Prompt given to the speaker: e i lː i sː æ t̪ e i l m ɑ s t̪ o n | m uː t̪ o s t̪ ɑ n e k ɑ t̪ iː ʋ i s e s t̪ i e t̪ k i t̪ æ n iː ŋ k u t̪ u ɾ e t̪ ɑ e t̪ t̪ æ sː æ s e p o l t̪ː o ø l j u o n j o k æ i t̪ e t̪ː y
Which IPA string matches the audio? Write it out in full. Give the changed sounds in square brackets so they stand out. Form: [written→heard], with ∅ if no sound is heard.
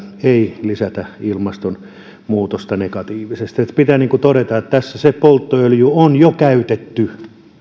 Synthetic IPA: e i [lː→l] i [sː→s] æ t̪ [e→æ] i l m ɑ s t̪ o n | m uː t̪ o s t̪ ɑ n e k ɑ t̪ iː ʋ i s e s t̪ i e t̪ [k→p] i t̪ æ n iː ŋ k u t̪ [u→o] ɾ e t̪ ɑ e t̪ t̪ æ sː æ s e p o l t̪ː o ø l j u o n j o k æ [i→y] t̪ e t̪ː y

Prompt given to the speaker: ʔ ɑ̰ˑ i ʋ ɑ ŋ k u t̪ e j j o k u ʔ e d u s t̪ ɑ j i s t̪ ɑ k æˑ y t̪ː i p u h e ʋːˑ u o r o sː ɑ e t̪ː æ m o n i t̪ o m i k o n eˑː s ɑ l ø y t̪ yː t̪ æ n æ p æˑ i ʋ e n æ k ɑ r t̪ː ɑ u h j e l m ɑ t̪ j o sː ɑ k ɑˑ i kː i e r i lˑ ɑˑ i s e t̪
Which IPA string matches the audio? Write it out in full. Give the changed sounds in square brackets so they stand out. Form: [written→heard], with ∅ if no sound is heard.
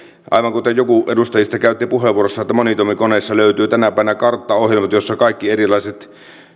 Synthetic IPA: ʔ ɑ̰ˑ i ʋ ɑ ŋ k u t̪ e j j o k u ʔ e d u s t̪ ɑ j i s t̪ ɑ k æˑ y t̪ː i p u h e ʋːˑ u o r o sː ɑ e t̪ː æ m o n i t̪ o m i k o n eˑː [s→sː] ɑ l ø y t̪ yː t̪ æ n æ p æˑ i ʋ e n æ k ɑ r t̪ː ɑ [u→o] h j e l m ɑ t̪ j o sː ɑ k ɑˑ i kː i e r i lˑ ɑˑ i s e t̪

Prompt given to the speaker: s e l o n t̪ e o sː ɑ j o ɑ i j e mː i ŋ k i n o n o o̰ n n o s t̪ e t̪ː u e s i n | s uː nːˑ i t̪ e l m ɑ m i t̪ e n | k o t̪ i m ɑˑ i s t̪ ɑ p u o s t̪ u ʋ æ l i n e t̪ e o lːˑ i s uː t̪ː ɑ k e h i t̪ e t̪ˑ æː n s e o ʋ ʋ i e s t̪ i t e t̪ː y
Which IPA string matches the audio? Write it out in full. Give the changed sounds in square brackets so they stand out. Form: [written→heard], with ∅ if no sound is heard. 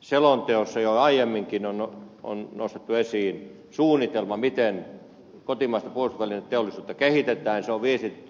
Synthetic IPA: s e l o n t̪ e o sː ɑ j o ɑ i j e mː i ŋ k i n o n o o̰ n n o s t̪ e t̪ː u e s [i→iː] n | s uː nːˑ i t̪ e l m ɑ m i t̪ e n | k o t̪ i m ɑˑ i s t̪ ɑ p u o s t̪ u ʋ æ l i n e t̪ e o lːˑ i s uː t̪ː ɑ k e h i t̪ e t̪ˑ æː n s e o ʋ ʋ i e s t̪ i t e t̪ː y

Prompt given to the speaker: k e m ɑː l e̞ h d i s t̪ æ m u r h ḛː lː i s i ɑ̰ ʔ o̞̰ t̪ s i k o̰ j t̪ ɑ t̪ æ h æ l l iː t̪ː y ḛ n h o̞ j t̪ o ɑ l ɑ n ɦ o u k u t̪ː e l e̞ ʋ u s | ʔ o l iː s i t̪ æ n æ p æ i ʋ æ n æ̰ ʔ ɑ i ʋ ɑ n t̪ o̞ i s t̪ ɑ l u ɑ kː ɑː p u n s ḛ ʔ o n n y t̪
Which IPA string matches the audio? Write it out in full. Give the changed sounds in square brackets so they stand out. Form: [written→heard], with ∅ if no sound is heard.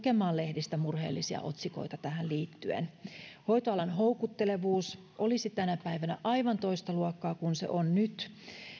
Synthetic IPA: k e m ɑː l e̞ h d i s t̪ æ m u r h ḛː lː i s i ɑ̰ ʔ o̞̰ t̪ s i k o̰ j t̪ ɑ t̪ æ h æ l l iː t̪ː y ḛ n h o̞ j t̪ o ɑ l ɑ n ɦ o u k u t̪ː e l e̞ ʋ [u→uː] s | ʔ o l [iː→i] s i t̪ æ n æ p æ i ʋ æ n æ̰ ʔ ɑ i ʋ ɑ n t̪ o̞ i s t̪ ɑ l u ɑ kː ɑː [p→k] u n s ḛ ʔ o n n y t̪

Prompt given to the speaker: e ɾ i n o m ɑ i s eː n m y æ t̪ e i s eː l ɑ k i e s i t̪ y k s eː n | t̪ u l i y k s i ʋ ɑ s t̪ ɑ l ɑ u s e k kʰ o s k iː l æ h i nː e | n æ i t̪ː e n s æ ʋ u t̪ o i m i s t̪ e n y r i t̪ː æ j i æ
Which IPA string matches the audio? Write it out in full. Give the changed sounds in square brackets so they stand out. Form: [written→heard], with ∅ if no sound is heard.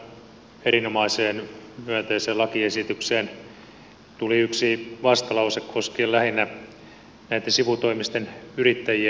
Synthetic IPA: e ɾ i n o m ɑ i s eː n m y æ t̪ e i s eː l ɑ k i e s i t̪ y k s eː n | t̪ u l i y k s i ʋ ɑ s t̪ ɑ l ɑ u s e k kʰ o s k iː l æ h i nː [e→æ] | n æ i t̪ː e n s [æ→i] ʋ u t̪ o i m i s t̪ e n y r i t̪ː æ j i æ

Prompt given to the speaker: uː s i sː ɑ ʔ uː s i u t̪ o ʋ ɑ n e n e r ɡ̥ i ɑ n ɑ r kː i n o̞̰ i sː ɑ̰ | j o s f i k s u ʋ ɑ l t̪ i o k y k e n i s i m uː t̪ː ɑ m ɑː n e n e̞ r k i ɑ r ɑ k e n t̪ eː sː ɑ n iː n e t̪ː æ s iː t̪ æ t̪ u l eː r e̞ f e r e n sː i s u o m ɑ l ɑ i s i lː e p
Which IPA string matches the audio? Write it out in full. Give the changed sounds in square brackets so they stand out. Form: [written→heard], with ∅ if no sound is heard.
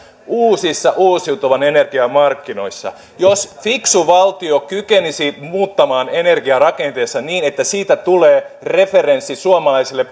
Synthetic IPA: uː s i sː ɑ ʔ uː s i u t̪ o ʋ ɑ n e n e r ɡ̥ i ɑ [n→m] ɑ r kː i n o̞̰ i sː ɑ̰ | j o s f i k s u ʋ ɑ l t̪ i o k y k e n i s i m uː t̪ː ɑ m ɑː n e n e̞ r [k→ɡ] i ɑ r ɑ k e n t̪ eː sː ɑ n iː n e t̪ː æ s iː t̪ æ t̪ u l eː r e̞ f e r e n sː i s u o m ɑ l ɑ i s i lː e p

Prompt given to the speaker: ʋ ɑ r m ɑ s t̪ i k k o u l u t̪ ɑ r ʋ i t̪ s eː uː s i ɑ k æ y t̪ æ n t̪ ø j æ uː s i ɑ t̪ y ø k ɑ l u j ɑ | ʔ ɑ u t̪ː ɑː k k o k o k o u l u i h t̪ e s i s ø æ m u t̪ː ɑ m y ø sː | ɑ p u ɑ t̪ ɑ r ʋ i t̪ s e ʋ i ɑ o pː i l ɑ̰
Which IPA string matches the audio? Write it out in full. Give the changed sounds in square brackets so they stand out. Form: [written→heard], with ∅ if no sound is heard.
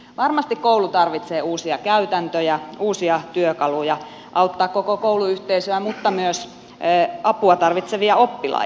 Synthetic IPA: ʋ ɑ r m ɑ s t̪ i k k o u l u t̪ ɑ r ʋ i t̪ s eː uː s i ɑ k æ y t̪ æ n t̪ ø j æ uː s i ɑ t̪ y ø k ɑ l u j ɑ | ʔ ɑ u t̪ː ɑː k k o k o k o u l u [i→y] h t̪ e [s→∅] i s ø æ m u t̪ː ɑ m y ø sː | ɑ p u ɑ t̪ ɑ r ʋ i t̪ s e ʋ i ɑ o pː i l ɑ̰

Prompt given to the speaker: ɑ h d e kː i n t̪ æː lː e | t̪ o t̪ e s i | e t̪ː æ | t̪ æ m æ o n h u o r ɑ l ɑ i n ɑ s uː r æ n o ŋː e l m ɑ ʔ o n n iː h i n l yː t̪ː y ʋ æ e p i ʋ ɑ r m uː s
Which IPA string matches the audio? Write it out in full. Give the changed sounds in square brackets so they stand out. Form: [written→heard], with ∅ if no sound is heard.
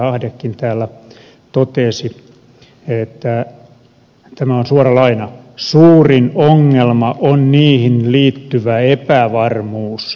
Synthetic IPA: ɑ h d e kː i n t̪ æː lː [e→æ] | t̪ o t̪ e s i | e t̪ː æ | t̪ æ m æ o n [h→s] u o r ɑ l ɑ i n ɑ s uː r [æ→i] n o ŋː e l m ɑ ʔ o n n iː h i n l [yː→iː] t̪ː y ʋ æ e p [i→æ] ʋ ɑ r m uː s

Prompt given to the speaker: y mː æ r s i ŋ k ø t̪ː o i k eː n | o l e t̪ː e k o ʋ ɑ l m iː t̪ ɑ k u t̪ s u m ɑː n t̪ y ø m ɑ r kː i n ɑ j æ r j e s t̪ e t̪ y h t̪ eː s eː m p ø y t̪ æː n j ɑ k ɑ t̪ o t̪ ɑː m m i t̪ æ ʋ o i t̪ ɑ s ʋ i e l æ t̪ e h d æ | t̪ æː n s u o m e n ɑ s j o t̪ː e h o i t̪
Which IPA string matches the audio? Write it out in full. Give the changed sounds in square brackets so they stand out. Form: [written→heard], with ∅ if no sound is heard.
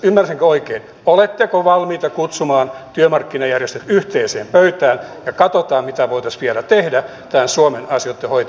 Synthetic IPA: y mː æ r s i ŋ k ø [t̪ː→∅] o i k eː n | o l e t̪ː e k o ʋ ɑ l m iː t̪ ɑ k u t̪ s u m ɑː n t̪ y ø m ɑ r kː i n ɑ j æ r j e s t̪ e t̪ y h t̪ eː s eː m p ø y t̪ æː n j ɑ k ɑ t̪ o t̪ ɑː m m i t̪ æ ʋ o i t̪ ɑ s ʋ i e l æ t̪ e h d æ | t̪ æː n s u o m e n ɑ s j o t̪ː e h o i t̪

